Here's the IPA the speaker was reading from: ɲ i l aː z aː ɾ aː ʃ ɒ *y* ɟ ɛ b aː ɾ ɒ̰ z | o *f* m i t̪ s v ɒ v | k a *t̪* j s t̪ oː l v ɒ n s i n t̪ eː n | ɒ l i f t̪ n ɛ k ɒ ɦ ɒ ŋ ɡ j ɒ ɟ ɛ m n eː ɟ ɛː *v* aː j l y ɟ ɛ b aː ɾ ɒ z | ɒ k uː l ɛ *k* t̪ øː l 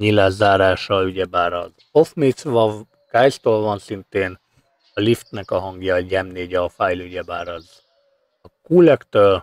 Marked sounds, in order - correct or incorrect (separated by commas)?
correct, correct, incorrect, incorrect, correct